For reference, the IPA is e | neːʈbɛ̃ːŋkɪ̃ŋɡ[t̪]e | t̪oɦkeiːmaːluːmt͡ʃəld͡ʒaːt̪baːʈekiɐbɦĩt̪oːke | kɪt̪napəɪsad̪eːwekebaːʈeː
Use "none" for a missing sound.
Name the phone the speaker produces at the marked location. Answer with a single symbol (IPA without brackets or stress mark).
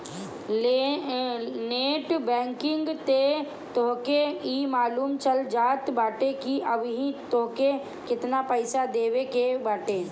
t̪